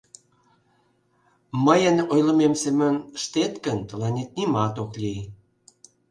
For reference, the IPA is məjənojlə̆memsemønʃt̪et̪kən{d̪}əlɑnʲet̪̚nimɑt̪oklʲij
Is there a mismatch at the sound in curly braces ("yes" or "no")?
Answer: yes